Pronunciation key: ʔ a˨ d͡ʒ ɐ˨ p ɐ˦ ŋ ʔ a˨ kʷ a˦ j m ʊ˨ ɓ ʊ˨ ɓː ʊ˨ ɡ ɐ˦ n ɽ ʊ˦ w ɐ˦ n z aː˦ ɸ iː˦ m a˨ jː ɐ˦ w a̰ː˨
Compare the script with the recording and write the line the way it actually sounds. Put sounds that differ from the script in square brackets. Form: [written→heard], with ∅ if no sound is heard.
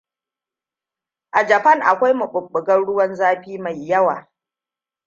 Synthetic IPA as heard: ʔ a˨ d͡ʒ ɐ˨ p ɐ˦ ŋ ʔ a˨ kʷ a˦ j m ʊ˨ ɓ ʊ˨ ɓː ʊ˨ ɡ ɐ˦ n ɽ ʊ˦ w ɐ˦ n z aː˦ ɸ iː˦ m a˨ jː ɐ˦ w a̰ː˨